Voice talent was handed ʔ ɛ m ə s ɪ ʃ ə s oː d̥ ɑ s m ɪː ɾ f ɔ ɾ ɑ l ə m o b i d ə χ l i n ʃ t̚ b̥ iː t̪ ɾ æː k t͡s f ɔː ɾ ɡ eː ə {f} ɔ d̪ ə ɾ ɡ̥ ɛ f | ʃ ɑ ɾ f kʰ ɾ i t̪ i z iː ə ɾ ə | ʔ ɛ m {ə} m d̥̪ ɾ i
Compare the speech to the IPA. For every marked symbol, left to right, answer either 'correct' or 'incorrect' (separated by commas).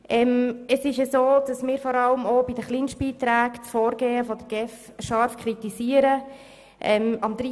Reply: correct, incorrect